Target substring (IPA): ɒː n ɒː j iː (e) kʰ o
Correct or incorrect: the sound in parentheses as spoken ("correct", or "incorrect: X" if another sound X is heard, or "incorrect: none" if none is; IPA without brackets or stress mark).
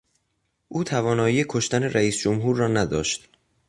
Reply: correct